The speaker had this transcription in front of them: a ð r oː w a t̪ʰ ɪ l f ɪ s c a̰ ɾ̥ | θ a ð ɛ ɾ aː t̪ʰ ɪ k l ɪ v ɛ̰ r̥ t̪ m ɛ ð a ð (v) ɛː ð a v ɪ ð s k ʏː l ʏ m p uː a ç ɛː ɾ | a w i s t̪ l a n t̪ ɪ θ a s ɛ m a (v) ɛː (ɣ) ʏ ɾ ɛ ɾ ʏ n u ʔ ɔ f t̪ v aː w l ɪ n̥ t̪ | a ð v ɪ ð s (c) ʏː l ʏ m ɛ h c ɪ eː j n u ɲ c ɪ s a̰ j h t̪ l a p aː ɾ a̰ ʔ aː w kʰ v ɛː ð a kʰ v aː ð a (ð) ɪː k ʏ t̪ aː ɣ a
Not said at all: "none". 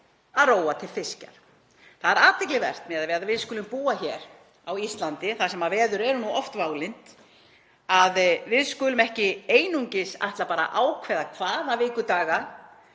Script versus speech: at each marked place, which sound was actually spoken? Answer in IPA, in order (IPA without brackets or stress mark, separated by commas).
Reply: v, v, ð, k, v